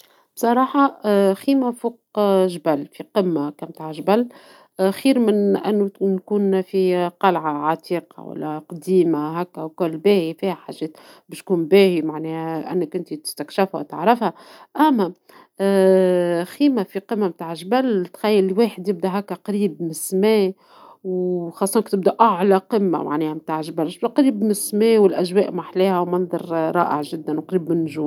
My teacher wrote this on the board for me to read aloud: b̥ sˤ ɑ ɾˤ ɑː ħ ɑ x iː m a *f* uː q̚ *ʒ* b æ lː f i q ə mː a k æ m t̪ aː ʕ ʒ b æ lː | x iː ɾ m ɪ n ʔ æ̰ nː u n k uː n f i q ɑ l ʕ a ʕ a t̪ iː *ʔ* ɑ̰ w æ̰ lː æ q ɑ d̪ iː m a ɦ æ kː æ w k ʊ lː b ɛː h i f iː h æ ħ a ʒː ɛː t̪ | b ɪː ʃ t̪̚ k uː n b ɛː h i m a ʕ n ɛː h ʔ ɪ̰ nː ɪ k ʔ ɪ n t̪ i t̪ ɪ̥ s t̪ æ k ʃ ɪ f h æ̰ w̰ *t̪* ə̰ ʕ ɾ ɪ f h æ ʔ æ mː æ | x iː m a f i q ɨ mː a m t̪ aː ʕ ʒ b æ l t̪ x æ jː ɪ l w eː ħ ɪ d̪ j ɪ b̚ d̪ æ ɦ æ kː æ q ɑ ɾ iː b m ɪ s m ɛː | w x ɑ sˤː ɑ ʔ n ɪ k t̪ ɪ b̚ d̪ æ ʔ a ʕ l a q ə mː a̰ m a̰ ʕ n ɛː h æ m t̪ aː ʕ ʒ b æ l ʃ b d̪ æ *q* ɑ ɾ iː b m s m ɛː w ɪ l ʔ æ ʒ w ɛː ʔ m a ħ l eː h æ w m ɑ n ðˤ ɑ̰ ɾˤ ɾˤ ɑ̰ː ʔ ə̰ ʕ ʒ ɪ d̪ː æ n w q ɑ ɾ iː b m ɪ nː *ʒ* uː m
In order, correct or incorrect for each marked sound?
correct, correct, incorrect, correct, correct, correct

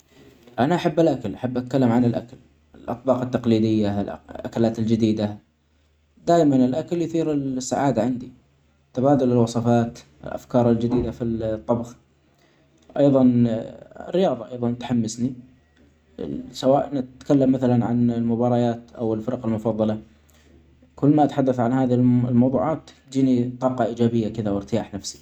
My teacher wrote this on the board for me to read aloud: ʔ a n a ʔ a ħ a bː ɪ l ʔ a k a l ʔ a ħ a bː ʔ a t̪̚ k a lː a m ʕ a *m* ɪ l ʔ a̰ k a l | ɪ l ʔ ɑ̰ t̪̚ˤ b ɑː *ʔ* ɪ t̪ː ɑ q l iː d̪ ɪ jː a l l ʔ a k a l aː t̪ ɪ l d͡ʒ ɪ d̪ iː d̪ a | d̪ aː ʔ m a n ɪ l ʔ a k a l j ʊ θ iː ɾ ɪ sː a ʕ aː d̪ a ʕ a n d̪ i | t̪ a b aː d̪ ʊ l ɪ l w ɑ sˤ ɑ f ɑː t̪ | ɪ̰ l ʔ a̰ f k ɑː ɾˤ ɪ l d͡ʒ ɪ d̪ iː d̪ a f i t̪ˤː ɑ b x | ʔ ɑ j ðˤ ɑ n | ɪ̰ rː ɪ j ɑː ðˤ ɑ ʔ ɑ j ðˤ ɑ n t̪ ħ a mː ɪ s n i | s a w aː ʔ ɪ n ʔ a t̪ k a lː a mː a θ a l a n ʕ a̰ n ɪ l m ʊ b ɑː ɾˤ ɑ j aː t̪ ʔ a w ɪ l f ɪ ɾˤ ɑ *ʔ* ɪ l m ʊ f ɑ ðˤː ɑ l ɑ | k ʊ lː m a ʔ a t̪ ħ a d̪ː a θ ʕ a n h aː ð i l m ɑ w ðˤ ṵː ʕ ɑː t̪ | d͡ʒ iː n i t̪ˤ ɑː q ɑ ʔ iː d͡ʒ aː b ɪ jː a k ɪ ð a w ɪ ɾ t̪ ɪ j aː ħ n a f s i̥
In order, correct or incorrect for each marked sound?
incorrect, incorrect, incorrect

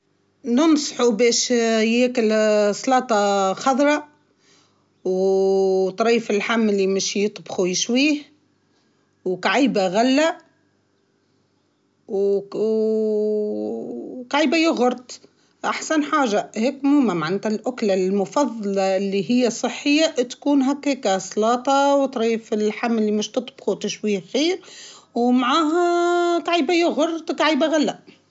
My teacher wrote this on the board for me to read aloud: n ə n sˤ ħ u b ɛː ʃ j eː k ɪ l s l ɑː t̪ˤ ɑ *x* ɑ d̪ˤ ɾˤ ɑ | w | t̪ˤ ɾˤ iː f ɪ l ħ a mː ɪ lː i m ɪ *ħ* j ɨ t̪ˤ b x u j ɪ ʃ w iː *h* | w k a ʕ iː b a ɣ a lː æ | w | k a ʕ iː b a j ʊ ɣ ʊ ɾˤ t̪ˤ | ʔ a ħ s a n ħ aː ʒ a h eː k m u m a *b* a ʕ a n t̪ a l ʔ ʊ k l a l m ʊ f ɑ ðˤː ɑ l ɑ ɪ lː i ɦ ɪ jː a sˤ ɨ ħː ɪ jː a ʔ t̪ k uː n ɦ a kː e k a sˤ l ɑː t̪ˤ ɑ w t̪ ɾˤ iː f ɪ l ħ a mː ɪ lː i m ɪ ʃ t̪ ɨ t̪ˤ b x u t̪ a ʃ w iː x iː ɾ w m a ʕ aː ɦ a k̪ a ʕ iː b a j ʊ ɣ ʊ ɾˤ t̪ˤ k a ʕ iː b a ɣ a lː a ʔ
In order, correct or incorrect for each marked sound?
correct, incorrect, correct, incorrect

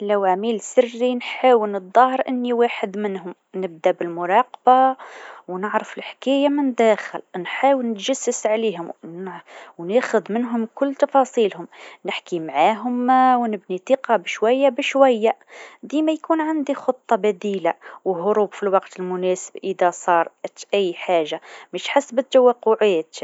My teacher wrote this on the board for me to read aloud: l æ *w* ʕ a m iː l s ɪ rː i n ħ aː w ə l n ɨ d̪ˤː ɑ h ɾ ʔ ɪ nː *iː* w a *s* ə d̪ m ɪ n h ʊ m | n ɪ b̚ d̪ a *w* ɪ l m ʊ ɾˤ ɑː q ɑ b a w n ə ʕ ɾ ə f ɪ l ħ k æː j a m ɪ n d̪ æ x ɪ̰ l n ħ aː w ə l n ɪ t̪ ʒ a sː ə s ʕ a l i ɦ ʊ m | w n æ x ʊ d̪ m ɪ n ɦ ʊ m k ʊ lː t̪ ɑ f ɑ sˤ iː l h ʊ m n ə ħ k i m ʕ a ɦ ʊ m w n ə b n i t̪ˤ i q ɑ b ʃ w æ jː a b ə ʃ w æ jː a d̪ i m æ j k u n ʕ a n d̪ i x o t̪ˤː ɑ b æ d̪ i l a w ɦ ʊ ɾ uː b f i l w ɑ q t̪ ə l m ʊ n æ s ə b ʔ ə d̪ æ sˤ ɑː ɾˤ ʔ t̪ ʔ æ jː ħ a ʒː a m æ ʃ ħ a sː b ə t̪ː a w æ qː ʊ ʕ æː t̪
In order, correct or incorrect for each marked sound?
correct, incorrect, incorrect, incorrect

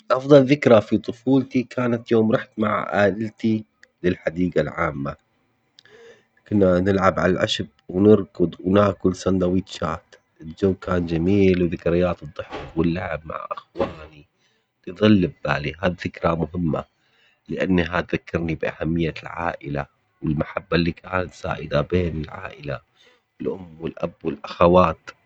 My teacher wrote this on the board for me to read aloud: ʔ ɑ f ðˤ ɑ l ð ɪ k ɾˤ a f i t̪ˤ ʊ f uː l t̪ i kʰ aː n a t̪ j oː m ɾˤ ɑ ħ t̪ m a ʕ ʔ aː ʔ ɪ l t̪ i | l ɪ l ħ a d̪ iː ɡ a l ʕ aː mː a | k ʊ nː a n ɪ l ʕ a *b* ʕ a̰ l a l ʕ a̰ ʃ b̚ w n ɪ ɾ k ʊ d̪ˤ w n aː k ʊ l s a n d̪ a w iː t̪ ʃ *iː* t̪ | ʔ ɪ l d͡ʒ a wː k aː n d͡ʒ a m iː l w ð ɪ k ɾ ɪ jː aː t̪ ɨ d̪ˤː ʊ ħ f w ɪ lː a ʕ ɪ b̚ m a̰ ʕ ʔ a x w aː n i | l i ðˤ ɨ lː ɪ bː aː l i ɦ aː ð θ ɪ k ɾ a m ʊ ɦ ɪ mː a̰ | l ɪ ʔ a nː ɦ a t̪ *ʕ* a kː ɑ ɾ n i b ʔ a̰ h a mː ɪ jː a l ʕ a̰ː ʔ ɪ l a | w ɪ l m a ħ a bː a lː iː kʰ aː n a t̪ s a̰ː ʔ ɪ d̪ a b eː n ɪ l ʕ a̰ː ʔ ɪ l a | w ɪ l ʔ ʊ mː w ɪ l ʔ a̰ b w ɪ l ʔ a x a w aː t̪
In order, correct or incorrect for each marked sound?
correct, incorrect, incorrect

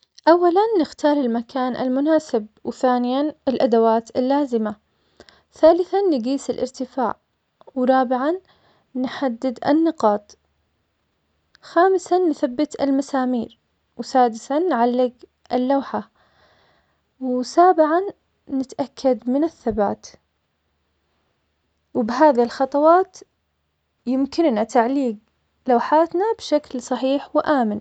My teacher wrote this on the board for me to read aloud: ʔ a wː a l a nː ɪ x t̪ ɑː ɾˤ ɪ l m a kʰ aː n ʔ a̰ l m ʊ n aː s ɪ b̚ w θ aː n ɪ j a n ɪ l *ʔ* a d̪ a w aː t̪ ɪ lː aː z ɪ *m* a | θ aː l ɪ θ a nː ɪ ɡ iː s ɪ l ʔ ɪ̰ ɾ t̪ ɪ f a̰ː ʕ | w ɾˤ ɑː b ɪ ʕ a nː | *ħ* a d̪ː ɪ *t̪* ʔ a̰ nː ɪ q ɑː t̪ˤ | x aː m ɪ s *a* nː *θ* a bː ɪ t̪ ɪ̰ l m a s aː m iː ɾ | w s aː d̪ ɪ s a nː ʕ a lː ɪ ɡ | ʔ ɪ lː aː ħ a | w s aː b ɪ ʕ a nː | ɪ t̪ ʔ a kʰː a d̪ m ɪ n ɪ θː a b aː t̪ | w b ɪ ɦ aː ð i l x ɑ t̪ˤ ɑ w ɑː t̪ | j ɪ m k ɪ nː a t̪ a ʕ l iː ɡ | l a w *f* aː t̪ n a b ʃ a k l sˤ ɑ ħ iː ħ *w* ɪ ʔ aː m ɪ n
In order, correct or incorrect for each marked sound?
correct, correct, correct, incorrect, correct, correct, incorrect, correct

